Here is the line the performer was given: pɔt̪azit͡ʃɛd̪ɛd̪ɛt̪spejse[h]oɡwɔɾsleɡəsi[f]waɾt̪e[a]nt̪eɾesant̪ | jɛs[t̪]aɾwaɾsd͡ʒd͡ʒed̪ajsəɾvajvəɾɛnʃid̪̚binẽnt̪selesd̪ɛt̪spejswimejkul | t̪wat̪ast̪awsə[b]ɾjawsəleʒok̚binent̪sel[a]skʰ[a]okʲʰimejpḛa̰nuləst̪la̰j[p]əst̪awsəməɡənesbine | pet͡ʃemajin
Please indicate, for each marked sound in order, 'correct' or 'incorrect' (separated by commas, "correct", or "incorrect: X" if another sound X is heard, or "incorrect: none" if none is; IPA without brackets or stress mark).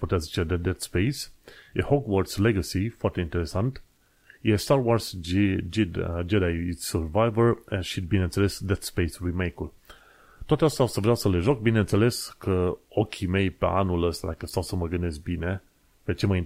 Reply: correct, correct, incorrect: i, correct, incorrect: v, incorrect: e, incorrect: ə, incorrect: k